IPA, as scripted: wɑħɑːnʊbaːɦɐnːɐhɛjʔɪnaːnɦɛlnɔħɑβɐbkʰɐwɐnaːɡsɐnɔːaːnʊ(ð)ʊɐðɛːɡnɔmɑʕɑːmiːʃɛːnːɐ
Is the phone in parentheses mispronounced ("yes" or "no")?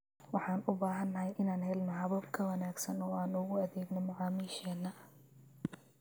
yes